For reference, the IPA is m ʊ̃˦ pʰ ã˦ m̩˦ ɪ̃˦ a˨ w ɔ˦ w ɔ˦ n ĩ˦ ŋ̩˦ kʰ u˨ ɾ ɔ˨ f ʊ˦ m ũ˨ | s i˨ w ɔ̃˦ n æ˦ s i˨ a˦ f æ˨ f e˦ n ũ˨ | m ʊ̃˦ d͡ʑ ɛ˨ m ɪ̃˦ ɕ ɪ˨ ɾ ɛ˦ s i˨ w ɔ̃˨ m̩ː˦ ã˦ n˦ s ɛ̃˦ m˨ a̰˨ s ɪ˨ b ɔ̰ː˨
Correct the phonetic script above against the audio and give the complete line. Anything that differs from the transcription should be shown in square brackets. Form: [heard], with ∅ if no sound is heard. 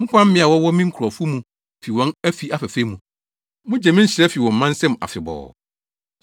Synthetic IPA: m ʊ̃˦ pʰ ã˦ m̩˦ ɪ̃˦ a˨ w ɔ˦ w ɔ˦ [m] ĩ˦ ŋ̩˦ kʰ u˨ ɾ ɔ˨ f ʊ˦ m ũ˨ | [f] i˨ w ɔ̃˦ n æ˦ [f] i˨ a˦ f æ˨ f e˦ [m] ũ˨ | m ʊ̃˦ d͡ʑ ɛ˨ m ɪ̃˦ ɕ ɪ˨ ɾ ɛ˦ [f] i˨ w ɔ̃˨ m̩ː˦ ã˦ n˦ s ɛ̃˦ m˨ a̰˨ [f] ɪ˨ b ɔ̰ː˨